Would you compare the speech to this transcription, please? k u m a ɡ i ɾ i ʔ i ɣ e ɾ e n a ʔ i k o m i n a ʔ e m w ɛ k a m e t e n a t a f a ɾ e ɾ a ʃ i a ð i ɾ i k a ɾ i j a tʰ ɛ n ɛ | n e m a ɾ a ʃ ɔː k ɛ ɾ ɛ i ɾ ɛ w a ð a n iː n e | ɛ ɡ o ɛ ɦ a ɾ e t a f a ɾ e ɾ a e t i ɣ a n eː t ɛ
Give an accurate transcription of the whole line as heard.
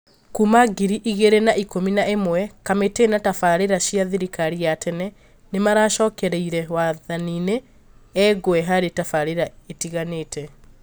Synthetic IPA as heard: k u m a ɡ i ɾ i ʔ i ɣ e ɾ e n a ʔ i k o m i n a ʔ e m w ɛ k a m e t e n a t a f a ɾ e ɾ a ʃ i a ð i ɾ i k a ɾ i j a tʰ ɛ n ɛ | n e m a ɾ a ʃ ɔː k ɛ ɾ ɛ i ɾ ɛ w a ð a n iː n e | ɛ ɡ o ɛ ɦ a ɾ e t a f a ɾ e ɾ a e t i ɣ a n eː t ɛ